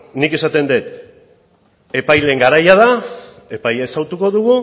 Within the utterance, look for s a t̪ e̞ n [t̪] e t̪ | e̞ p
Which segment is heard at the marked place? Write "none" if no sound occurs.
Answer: d̪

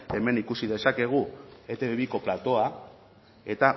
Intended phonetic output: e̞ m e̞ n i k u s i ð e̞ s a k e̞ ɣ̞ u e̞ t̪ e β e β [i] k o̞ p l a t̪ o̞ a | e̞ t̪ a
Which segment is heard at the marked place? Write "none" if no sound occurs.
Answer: i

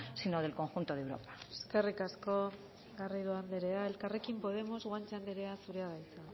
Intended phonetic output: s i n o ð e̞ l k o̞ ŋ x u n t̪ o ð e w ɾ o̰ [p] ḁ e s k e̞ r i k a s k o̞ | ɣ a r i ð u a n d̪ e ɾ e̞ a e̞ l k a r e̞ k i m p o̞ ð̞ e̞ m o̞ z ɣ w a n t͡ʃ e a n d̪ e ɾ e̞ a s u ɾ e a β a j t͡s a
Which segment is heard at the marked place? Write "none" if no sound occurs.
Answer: p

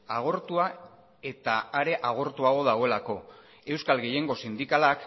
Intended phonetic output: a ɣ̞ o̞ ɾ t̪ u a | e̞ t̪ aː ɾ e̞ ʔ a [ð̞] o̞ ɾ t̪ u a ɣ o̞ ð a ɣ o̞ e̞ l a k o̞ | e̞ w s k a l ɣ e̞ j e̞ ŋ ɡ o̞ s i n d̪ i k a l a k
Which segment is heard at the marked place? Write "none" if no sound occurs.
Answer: ɣ̞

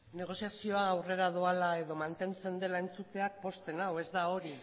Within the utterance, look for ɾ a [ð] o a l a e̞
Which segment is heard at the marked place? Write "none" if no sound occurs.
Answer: ð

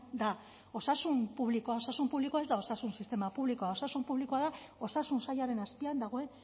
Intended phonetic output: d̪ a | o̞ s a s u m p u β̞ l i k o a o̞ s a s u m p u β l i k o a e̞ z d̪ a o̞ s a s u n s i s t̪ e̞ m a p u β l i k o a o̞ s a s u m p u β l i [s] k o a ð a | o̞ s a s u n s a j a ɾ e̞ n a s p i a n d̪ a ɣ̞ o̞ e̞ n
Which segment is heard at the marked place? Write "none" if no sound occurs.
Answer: none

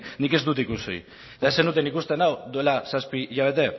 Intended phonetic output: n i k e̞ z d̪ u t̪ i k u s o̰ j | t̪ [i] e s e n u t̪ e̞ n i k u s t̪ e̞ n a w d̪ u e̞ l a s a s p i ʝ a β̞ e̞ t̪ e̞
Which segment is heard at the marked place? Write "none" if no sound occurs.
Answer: a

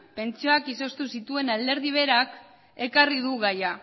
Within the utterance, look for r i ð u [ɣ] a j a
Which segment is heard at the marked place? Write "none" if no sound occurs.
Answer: ɣ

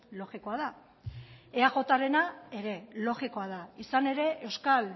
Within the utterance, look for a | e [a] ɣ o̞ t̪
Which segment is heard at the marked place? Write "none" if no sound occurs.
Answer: a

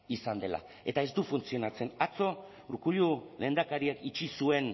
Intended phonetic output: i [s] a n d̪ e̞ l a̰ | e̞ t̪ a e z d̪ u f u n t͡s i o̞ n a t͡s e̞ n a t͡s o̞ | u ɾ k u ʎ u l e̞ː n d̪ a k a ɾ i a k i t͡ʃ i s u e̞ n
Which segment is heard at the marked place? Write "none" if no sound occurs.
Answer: s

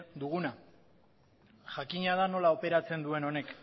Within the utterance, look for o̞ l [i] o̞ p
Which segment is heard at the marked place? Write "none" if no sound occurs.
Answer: a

